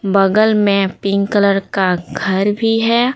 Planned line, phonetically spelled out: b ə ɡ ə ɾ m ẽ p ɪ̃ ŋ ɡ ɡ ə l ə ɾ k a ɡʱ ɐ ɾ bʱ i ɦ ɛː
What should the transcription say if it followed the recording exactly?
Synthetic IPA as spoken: b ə ɡ ə l m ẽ p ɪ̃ ŋ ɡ k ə l ə ɾ k a ɡʱ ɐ ɾ bʱ i ɦ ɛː